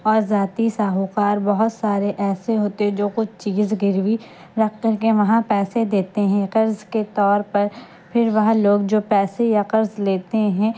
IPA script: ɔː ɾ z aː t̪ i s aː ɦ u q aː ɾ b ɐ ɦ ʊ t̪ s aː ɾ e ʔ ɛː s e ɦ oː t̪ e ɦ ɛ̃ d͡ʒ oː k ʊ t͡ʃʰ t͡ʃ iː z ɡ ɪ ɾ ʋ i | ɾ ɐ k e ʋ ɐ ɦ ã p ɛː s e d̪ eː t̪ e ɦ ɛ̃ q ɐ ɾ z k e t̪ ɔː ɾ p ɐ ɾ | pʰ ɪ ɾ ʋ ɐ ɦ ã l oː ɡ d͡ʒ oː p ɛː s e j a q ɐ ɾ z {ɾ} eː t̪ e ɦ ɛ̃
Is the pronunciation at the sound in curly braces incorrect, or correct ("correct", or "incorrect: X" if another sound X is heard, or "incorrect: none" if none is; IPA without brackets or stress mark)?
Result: incorrect: l